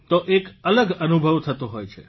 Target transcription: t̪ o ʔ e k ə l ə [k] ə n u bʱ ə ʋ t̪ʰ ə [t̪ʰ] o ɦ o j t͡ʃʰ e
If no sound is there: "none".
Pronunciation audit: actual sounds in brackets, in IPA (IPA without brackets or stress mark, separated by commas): ɡ, t̪